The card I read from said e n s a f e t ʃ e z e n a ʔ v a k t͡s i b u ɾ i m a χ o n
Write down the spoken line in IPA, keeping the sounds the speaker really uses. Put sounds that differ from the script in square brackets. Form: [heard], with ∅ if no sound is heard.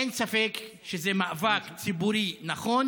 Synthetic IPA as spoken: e n s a f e [k] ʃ e z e [m] a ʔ v a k t͡s i b u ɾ i [n] a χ o n